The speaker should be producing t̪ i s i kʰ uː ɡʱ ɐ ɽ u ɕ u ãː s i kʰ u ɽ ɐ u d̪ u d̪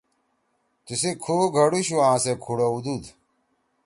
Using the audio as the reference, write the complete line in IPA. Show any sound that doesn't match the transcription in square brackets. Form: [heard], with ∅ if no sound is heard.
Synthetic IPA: t̪ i s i kʰ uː ɡʱ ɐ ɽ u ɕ u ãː s [e] kʰ u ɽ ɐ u d̪ u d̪